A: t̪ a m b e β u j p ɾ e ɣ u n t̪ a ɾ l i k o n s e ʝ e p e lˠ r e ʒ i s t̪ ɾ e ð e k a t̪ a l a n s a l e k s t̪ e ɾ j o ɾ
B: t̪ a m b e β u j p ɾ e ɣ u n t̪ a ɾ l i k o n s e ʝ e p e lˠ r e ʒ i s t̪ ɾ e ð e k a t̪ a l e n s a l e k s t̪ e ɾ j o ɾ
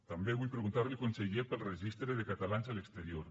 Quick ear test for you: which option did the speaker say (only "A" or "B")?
A